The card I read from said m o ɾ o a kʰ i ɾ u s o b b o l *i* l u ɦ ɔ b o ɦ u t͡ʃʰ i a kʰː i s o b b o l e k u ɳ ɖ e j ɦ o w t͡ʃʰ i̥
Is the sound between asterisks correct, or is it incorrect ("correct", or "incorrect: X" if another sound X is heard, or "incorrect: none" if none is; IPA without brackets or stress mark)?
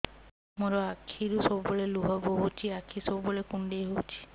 incorrect: e